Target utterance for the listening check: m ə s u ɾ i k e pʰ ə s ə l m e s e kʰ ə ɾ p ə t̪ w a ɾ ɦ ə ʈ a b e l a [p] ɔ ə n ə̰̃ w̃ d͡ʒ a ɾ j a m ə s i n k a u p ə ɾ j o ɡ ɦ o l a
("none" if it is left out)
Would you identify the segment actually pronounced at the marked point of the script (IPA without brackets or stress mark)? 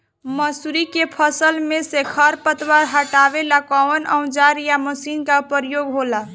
k